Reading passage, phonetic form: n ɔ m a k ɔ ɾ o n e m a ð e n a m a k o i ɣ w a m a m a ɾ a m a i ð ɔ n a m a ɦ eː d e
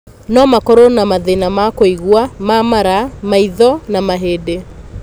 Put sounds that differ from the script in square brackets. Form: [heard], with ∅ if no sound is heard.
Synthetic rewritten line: n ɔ m a k ɔ ɾ o n [a] m a ð e n a m a k o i ɣ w a m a m a ɾ a m a i ð ɔ n a m a ɦ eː d e

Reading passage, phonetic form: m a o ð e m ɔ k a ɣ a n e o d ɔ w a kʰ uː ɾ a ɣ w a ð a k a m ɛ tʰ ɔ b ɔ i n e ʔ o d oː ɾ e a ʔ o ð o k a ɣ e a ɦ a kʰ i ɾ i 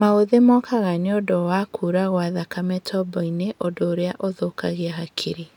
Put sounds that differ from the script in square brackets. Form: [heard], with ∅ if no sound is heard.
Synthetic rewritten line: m a o ð e m ɔ k a ɣ a n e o d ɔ w a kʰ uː ɾ a ɣ w a ð a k a m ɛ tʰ ɔ b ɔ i n e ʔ o d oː ɾ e a ʔ o ð o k a ɣ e a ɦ a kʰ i ɾ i

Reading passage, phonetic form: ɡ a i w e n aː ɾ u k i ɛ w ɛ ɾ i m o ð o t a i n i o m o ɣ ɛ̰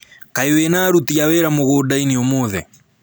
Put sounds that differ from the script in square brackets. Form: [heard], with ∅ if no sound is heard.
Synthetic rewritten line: [k] a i w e n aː ɾ u [t] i [a] w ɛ ɾ [a] m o [ɣ] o [d] a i n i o m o [ð] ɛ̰

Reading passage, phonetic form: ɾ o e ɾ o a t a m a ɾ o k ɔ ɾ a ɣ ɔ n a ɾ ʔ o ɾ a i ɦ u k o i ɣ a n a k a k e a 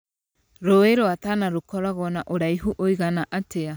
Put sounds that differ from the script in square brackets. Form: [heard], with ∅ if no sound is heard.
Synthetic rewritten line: ɾ o e ɾ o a t a [n] a ɾ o k ɔ ɾ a ɣ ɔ n a [∅] ʔ o ɾ a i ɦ u [ʔ] o i ɣ a n a [ʔ] a [t] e a

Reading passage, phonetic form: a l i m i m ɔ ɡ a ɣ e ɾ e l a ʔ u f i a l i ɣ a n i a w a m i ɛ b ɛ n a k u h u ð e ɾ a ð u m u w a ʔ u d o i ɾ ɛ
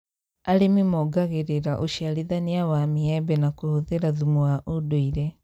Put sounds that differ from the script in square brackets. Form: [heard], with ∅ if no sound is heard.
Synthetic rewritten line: a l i m i m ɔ ɡ a ɣ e ɾ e [ɾ] a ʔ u [ʃ] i a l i [ð] a n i a w a m i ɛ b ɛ n a k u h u ð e ɾ a ð u m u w a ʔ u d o i ɾ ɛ

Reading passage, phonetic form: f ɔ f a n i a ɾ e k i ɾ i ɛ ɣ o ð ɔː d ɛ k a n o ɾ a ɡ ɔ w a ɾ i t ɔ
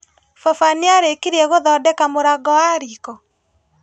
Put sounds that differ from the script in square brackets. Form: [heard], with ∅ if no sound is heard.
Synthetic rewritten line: f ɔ f a n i a ɾ e k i ɾ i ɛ ɣ o ð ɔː d ɛ k a [m] o ɾ a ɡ ɔ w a ɾ i [k] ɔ

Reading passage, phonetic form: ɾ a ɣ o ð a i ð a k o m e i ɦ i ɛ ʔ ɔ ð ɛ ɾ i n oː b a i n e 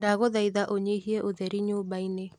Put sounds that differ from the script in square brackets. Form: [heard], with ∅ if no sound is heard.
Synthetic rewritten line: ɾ a ɣ o ð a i ð a [ʔ] o [ɲ] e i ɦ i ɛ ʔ [o] ð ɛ ɾ i [ɲ] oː b a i n e

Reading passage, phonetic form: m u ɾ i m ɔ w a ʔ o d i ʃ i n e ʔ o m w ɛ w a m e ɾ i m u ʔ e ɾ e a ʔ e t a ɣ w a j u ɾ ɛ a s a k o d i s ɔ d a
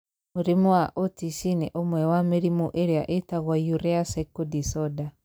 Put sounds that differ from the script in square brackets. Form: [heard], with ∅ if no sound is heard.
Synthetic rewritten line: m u ɾ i m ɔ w a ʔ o [t] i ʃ i n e ʔ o m w ɛ w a m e ɾ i m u ʔ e ɾ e a ʔ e t a ɣ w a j u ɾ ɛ a s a k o d i s ɔ d a

